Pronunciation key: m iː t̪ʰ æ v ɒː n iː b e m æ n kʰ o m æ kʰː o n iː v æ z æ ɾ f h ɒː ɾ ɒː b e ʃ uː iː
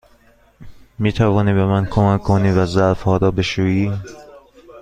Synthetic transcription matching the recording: m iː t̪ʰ æ v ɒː n iː b e m æ n kʰ o m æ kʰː o n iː v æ z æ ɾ f h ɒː ɾ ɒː b e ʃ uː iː